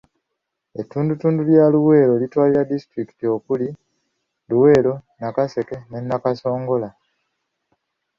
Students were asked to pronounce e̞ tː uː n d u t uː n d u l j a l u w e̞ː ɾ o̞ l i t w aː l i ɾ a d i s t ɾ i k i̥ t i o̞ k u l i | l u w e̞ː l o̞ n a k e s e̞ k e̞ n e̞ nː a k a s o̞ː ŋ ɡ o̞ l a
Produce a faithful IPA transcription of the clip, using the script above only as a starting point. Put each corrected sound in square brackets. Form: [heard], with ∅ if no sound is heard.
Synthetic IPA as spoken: e̞ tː uː n d u t uː n d u l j a l u w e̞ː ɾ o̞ l i t w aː l i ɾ a d i s t ɾ i k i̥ t i o̞ k u l i | l u w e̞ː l o̞ n a k [a] s e̞ k e̞ n e̞ nː a k a s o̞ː ŋ ɡ o̞ l a